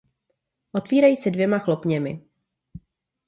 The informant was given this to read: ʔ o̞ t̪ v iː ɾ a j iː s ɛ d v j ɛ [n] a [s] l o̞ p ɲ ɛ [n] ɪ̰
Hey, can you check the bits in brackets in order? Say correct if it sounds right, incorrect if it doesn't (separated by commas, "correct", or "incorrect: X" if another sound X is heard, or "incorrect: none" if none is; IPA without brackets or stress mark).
incorrect: m, incorrect: x, incorrect: m